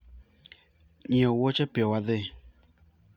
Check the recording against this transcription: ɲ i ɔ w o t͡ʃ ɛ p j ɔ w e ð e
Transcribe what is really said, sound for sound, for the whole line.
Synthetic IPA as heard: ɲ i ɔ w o t͡ʃ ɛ p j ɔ w a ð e